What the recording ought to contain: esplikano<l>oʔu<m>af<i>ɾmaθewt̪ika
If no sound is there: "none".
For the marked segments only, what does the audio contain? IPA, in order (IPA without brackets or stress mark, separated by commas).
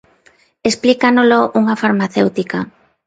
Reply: l, ŋ, a